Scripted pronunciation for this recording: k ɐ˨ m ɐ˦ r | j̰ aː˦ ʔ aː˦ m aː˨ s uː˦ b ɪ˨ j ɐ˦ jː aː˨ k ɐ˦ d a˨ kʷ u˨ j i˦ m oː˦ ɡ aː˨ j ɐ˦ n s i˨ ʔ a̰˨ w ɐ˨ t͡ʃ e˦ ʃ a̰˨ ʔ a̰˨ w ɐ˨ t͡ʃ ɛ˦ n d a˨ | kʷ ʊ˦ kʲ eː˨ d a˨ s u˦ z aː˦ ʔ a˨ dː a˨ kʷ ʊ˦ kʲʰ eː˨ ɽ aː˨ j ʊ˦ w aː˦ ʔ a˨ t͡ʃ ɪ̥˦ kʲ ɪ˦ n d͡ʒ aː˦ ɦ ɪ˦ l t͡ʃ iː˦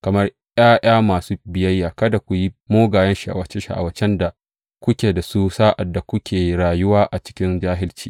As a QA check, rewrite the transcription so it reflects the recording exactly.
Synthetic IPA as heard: k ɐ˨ m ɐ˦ r | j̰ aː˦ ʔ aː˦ m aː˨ s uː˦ b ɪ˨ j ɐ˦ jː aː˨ k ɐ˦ d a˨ kʷ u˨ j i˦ m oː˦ ɡ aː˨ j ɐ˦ n ʃ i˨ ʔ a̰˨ w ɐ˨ t͡ʃ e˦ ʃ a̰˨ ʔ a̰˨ w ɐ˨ t͡ʃ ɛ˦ n d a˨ | kʷ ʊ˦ kʲ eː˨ d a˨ s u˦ s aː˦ ʔ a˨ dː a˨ kʷ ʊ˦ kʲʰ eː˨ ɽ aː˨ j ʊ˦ w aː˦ ʔ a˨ t͡ʃ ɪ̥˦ kʲ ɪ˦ n d͡ʒ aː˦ ɦ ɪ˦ l t͡ʃ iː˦